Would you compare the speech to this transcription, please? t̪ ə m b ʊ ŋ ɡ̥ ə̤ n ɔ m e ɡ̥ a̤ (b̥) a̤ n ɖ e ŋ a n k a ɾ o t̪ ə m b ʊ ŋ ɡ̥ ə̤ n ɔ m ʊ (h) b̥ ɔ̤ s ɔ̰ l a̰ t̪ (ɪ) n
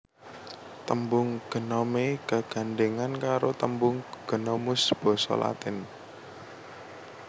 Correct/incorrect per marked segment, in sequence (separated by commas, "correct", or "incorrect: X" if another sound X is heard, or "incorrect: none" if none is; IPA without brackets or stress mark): incorrect: ɡ̥, incorrect: s, correct